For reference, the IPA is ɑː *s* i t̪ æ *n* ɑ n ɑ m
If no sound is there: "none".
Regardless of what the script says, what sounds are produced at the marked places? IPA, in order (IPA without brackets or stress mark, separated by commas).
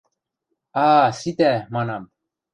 s, m